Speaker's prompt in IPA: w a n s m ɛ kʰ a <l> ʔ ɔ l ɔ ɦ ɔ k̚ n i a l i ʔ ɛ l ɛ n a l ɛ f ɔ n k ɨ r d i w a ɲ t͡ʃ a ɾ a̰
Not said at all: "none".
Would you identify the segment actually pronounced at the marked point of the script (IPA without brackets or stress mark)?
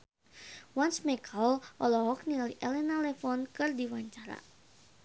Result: l